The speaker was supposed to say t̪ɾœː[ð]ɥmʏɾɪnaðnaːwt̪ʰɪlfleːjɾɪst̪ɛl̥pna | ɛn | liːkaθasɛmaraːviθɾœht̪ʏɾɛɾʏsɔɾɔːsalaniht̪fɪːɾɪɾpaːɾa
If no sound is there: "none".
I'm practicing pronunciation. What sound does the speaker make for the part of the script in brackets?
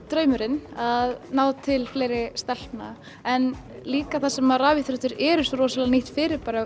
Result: none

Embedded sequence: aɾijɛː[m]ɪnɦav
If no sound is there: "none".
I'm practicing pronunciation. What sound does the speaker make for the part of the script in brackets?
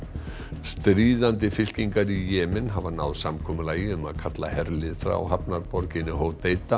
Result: m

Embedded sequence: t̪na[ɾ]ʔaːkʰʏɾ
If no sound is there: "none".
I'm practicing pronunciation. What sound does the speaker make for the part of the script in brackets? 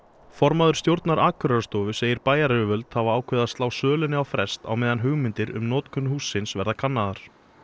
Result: ɾ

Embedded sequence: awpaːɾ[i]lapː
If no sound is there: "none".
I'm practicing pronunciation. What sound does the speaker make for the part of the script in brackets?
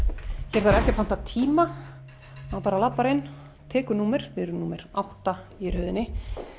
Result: a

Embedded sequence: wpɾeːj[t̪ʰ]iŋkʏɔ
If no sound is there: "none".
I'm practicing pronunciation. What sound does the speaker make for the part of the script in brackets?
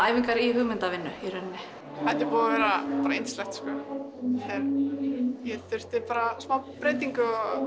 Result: t̪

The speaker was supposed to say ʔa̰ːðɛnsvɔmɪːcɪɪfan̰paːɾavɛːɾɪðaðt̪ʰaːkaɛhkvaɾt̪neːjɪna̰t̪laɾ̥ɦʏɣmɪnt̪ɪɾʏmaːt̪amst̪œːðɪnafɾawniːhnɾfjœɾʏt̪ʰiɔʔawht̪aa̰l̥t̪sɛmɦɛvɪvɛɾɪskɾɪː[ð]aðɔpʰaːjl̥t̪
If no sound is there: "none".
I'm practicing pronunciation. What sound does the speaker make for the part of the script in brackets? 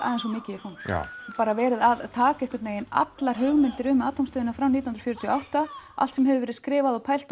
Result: v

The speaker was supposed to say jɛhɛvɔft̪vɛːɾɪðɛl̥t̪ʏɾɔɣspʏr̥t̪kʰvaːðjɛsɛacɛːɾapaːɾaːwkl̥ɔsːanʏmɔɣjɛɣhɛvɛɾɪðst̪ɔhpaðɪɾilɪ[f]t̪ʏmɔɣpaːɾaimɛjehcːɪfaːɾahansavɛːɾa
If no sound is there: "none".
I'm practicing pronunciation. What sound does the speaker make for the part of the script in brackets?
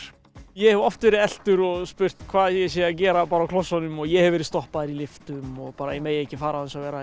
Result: f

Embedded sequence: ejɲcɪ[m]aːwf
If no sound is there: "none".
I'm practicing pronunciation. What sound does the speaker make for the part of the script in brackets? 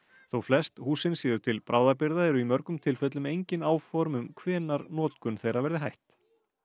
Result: n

